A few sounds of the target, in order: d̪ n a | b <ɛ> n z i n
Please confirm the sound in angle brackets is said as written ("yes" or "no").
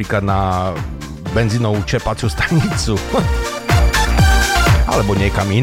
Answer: yes